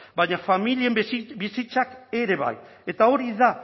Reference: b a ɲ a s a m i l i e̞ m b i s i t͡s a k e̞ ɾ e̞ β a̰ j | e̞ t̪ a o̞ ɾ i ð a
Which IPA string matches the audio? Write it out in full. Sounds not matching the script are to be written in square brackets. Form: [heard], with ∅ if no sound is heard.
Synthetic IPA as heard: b a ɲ a [f] a m i l i e̞ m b i s i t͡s a k e̞ ɾ e̞ β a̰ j | e̞ t̪ a o̞ ɾ i ð a